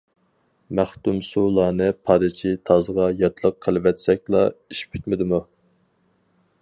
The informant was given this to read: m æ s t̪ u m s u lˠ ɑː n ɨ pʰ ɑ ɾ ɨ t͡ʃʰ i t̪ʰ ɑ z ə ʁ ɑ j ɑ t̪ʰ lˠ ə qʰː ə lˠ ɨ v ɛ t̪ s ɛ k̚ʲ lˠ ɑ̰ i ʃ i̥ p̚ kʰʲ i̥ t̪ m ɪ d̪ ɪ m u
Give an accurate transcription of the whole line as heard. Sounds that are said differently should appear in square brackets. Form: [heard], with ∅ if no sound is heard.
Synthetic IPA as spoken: m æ [χ] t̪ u m s u lˠ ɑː n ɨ pʰ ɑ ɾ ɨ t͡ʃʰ i t̪ʰ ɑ z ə ʁ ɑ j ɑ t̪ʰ lˠ ə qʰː ə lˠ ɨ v ɛ t̪ s ɛ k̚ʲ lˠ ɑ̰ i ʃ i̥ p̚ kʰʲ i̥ t̪ m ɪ d̪ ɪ m u